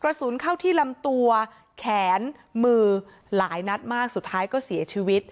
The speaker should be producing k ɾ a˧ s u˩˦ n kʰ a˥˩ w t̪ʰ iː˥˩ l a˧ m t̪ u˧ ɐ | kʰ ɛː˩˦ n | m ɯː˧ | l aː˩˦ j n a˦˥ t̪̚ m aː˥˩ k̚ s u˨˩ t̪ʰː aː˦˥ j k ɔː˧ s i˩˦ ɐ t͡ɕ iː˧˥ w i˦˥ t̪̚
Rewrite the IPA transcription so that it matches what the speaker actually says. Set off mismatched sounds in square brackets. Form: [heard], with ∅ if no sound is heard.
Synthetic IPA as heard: k ɾ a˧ s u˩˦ n kʰ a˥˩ w t̪ʰ iː˥˩ l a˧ m t̪ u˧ ɐ | kʰ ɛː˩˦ n | m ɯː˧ | l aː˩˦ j n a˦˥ t̪̚ m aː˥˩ k̚ s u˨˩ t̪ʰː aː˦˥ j k [ɔː˥˩] s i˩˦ ɐ [t͡ɕʰ] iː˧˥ w i˦˥ t̪̚